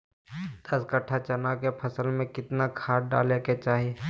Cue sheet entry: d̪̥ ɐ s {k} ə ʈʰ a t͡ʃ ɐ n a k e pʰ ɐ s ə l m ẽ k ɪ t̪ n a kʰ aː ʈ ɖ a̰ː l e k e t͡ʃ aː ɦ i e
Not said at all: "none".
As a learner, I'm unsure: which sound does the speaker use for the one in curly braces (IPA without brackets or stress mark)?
k